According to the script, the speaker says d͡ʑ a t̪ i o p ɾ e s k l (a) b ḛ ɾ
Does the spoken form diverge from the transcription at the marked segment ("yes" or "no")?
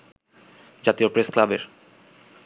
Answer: no